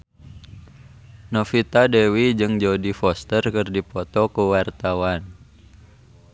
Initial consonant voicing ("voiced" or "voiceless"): voiced